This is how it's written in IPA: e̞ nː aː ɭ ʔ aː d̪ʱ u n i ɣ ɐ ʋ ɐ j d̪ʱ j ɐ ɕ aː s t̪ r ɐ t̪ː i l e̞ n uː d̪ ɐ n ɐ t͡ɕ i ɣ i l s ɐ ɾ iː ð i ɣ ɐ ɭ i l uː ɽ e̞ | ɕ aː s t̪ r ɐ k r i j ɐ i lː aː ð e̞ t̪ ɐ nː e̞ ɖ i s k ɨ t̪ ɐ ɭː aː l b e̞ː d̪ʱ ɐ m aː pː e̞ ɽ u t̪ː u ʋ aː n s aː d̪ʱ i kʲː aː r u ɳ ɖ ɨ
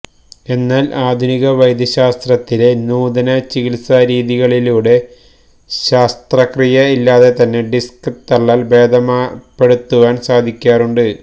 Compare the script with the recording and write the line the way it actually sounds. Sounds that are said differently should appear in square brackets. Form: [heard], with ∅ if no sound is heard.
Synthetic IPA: e̞ nː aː [l] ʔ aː d̪ʱ u n i ɣ ɐ ʋ ɐ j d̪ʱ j ɐ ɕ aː s t̪ r ɐ t̪ː i l e̞ n uː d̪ ɐ n ɐ t͡ɕ i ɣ i l s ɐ ɾ iː ð i ɣ ɐ ɭ i l uː ɽ e̞ | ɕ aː s t̪ r ɐ k r i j ɐ i lː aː ð e̞ t̪ ɐ nː e̞ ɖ i s k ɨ t̪ ɐ ɭː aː l b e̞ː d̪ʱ ɐ m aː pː e̞ ɽ u t̪ː u ʋ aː n s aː d̪ʱ i kʲː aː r u ɳ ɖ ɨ